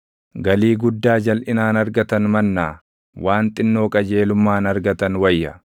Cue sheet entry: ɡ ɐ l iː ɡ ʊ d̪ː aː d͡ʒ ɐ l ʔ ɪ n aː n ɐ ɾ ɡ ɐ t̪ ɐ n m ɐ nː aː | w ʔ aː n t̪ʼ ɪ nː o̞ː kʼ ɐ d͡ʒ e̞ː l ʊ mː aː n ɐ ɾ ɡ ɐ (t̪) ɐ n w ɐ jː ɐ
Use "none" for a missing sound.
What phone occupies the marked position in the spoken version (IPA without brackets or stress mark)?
t̪